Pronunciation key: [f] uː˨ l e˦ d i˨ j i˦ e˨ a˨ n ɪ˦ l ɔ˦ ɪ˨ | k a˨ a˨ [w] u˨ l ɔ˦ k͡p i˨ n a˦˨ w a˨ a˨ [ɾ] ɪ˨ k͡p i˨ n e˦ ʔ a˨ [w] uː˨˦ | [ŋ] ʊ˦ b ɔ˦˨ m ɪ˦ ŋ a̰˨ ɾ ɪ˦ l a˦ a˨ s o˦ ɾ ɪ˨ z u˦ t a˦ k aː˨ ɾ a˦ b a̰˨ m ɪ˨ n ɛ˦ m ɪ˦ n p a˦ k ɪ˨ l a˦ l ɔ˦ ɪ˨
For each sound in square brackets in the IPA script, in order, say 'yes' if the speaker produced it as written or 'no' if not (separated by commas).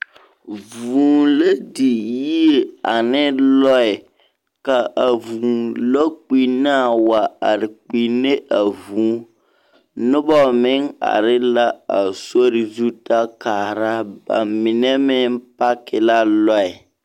no, no, yes, no, no